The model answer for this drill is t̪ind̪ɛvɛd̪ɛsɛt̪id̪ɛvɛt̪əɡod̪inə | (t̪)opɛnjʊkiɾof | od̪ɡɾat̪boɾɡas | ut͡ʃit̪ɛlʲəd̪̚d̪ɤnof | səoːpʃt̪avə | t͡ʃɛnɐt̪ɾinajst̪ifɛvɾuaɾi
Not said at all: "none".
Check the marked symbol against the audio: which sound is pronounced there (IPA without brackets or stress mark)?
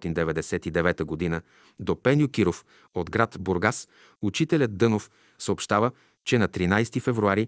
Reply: d̪